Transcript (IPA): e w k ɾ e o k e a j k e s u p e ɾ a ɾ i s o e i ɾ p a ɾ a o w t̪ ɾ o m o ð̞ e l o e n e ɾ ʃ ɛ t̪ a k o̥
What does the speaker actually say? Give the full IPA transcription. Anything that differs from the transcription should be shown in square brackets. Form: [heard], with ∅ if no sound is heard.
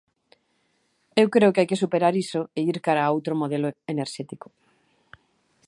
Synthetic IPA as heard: e w k ɾ e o k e a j k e s u p e ɾ a ɾ i s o e i ɾ [k] a ɾ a o w t̪ ɾ o m o ð̞ e l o e n e ɾ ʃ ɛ t̪ [i] k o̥

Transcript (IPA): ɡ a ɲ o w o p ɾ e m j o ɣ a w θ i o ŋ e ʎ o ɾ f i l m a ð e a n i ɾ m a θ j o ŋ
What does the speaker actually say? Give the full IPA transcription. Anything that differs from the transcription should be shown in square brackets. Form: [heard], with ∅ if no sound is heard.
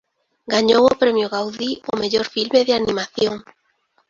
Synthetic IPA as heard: ɡ a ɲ o w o p ɾ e m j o ɣ a w [ð] i o [m] e ʎ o ɾ f i l m [e] ð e a n i [∅] m a θ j o ŋ

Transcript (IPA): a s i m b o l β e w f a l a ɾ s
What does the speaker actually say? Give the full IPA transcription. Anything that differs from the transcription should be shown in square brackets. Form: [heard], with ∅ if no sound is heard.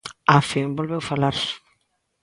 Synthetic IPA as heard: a [f] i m b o l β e w f a l a ɾ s

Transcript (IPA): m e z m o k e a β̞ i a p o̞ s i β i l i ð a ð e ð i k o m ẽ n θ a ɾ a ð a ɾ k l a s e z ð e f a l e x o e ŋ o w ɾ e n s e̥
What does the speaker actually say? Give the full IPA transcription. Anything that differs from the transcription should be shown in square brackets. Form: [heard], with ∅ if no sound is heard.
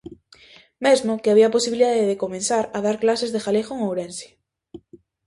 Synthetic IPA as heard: m e z m o k e a β̞ i a p o̞ s i β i l i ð a ð e ð [e] k o m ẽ n [s] a ɾ a ð a ɾ k l a s e z ð e [x] a l e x o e ŋ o w ɾ e n s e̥

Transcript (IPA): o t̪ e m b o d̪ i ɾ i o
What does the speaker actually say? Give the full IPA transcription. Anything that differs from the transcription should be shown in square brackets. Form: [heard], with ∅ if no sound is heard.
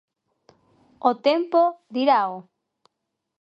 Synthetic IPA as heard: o t̪ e m [p] o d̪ i ɾ [a] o

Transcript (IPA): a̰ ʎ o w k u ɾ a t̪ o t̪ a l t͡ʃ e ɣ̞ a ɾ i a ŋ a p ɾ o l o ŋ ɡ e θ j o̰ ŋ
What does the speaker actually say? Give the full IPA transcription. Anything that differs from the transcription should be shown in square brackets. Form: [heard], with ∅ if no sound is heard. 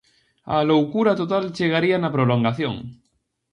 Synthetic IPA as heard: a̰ [l] o w k u ɾ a t̪ o t̪ a l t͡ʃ e ɣ̞ a ɾ i a [n] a p ɾ o l o ŋ ɡ [a] θ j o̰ ŋ

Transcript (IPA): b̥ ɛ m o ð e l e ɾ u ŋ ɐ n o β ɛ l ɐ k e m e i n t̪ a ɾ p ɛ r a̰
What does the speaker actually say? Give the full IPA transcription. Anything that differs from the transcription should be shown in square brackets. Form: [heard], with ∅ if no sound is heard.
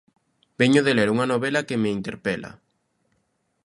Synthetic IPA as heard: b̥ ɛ [ɲ] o ð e l e ɾ u ŋ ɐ n o β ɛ l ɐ k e m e i n t̪ [e] ɾ p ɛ [l] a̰

